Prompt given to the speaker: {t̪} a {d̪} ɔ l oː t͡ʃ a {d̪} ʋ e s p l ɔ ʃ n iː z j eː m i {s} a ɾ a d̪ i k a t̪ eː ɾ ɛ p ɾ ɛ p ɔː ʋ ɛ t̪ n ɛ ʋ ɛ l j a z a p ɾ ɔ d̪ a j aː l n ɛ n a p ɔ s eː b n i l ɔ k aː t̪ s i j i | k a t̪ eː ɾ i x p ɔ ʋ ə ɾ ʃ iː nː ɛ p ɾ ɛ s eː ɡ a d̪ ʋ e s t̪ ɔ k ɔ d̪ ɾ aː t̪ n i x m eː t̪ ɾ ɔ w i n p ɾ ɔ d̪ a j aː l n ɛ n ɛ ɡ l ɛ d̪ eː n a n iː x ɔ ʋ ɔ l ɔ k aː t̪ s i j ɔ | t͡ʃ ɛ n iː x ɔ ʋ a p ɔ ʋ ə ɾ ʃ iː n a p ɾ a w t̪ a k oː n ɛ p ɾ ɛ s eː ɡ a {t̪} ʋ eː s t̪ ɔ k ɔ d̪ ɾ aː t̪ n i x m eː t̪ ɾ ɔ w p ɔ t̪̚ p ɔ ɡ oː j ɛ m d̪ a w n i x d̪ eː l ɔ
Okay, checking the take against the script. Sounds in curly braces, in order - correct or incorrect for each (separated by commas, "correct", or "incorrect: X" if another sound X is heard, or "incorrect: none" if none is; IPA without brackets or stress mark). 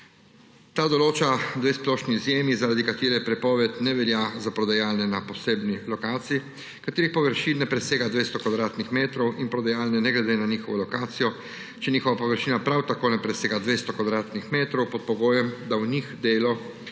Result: correct, correct, correct, incorrect: z, incorrect: d̪